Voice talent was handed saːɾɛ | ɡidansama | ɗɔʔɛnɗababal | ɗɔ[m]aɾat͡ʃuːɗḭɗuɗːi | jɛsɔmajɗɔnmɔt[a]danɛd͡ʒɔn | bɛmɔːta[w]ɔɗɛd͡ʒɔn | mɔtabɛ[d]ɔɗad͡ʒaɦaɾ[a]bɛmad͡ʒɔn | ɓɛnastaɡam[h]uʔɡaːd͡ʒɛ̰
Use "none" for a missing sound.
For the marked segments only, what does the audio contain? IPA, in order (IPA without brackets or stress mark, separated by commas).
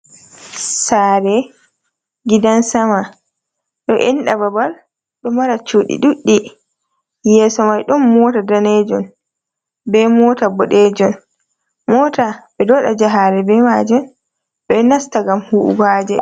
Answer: m, a, b, d, ɛ, h